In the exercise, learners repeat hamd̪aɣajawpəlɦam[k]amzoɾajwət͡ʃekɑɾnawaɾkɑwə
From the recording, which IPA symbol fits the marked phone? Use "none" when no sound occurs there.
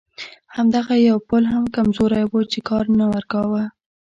k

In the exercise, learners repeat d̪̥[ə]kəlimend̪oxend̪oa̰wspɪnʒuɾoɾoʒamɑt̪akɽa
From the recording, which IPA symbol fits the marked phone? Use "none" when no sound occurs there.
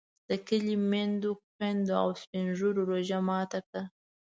ə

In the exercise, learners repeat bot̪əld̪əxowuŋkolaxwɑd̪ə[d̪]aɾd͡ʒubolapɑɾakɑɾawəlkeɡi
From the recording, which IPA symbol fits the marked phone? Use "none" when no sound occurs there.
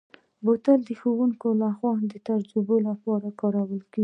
t̪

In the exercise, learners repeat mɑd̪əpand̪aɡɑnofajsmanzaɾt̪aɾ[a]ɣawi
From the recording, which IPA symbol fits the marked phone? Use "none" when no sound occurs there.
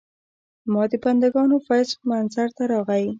ɑ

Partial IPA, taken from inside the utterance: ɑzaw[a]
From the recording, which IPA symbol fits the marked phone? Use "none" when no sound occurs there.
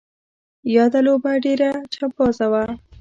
a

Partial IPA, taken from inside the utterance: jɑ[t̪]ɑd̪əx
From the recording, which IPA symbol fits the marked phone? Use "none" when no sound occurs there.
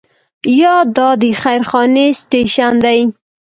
d̪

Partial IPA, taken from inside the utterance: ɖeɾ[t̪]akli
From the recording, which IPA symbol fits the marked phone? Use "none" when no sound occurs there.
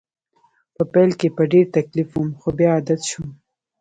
t̪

